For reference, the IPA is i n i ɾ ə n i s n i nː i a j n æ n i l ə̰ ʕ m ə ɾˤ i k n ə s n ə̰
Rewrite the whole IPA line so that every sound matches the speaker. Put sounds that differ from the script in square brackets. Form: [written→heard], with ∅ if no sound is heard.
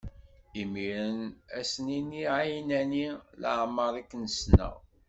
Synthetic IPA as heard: i [n→m] i ɾ ə n [i→æ] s n i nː i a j n æ n i l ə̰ ʕ m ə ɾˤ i k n ə s n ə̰